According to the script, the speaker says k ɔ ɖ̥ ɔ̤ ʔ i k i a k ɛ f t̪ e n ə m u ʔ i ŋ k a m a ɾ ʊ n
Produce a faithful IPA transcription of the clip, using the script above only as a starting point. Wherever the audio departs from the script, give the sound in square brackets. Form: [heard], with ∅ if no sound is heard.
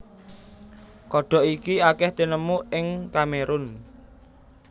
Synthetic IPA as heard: k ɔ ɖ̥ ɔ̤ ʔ i k i a k ɛ [h] t̪ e n ə m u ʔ [ɪ] ŋ k a m [e] ɾ ʊ n